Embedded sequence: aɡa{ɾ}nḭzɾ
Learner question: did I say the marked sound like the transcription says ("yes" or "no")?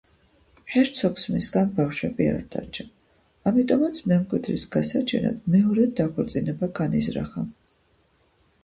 no